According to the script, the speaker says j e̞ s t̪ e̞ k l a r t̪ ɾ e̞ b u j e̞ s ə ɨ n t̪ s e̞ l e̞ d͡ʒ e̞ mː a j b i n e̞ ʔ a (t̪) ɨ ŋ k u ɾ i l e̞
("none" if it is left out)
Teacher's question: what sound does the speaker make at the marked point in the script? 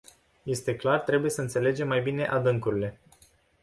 d̪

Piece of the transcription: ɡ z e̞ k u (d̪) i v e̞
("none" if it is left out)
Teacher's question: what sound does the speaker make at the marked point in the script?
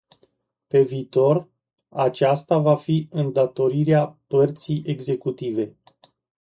t̪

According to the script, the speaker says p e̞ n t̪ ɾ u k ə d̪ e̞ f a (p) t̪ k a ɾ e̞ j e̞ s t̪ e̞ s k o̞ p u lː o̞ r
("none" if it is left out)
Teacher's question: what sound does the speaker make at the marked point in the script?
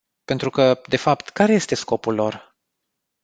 p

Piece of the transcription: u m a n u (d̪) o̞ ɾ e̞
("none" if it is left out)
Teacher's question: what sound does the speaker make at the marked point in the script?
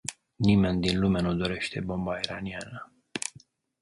d̪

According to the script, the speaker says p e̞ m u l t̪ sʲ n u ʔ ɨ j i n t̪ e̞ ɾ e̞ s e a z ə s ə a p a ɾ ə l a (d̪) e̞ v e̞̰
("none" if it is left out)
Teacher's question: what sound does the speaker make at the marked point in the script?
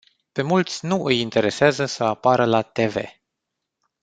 t̪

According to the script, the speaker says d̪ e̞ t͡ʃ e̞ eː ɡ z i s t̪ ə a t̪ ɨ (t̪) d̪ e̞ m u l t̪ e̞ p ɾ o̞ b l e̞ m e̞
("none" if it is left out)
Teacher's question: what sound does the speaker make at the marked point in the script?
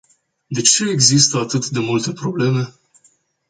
t̪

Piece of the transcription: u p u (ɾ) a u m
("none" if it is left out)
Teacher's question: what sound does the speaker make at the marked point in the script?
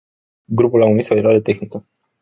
l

